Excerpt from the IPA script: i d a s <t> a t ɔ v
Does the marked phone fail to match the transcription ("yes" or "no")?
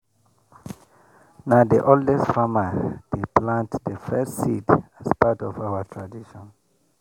yes